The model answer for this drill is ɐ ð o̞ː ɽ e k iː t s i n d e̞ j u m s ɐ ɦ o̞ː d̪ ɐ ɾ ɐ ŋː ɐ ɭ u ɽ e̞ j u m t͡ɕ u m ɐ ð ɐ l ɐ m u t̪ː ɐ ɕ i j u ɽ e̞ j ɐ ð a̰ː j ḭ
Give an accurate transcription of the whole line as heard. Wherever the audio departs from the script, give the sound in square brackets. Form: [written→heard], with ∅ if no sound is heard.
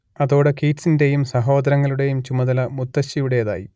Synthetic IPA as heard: ɐ ð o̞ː ɽ e k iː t s i n d e̞ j u m s ɐ ɦ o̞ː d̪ ɐ ɾ ɐ ŋː ɐ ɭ u ɽ e̞ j u m t͡ɕ u m ɐ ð ɐ l ɐ m u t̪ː ɐ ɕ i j u ɽ e̞ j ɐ ð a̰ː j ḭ